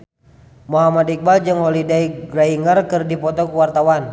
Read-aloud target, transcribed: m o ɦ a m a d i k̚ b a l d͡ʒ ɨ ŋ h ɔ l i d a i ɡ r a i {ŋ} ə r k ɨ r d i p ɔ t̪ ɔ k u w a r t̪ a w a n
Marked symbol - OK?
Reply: yes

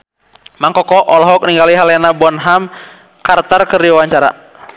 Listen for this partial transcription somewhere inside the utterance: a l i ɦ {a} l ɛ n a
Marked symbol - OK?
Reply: yes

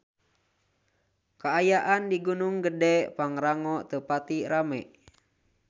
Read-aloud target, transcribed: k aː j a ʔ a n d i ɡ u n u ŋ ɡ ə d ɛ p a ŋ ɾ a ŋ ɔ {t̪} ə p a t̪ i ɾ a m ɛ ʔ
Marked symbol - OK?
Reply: yes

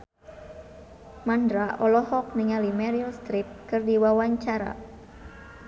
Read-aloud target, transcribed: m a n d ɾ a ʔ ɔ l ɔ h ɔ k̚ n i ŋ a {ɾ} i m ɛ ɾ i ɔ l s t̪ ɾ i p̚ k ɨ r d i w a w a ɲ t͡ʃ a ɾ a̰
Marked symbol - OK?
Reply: no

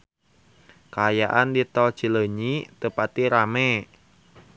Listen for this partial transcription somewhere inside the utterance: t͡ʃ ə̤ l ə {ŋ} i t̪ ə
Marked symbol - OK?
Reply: no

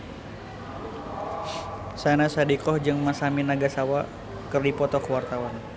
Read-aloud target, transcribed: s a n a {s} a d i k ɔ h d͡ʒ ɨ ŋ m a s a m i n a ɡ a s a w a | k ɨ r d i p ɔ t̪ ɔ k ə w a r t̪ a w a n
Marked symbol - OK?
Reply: yes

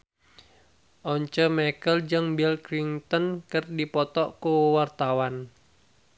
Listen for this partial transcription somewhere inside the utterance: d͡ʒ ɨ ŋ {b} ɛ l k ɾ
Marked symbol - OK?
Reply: yes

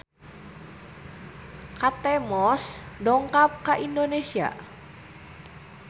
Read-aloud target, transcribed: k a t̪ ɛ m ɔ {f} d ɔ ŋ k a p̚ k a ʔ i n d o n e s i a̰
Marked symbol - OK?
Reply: no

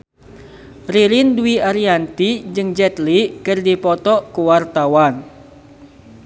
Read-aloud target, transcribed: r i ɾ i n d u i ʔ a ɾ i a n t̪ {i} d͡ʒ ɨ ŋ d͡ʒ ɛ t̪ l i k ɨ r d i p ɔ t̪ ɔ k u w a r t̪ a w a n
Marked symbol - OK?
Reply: yes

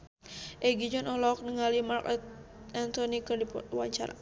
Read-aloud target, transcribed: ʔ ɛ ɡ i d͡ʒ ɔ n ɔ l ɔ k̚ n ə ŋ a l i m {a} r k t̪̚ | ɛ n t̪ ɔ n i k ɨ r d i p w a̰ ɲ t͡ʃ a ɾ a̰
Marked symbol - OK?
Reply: yes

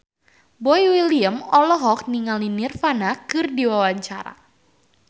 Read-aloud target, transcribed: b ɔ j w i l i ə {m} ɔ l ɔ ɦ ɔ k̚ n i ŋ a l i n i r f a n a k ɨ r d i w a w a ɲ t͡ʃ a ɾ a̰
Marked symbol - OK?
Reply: yes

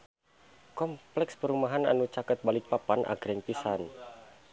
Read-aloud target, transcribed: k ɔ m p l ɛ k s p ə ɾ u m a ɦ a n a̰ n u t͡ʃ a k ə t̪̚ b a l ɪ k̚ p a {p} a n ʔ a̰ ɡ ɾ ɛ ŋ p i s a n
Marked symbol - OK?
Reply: yes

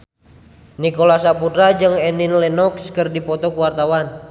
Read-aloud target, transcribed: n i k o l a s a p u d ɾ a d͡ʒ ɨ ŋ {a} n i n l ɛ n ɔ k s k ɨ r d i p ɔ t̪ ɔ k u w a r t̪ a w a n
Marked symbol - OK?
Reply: no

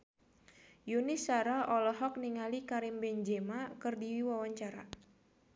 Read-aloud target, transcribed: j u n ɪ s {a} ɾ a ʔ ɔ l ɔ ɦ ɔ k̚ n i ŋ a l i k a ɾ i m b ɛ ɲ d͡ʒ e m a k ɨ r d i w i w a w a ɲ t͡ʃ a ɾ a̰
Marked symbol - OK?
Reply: yes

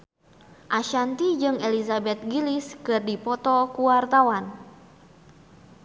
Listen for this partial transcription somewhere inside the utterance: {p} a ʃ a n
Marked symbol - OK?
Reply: no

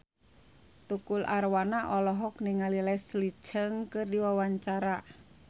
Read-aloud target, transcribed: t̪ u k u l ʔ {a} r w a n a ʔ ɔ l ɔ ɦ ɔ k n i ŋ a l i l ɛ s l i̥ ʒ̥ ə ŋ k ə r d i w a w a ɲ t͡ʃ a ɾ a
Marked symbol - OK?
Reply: yes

